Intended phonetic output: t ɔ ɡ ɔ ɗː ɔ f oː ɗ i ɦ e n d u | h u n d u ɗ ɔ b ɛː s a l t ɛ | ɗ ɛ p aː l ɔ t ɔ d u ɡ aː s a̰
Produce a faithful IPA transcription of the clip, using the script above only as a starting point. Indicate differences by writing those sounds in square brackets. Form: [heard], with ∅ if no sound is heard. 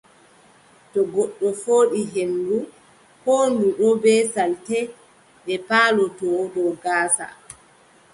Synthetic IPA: t ɔ ɡ ɔ ɗː ɔ f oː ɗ i ɦ e n d u | h [o] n d u ɗ ɔ b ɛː s a l t ɛ | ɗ ɛ p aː l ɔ t ɔ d [ɔ] ɡ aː s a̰